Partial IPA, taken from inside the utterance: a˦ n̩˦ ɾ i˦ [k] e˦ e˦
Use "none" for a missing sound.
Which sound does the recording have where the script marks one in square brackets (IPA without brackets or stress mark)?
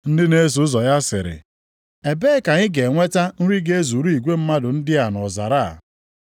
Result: ɡ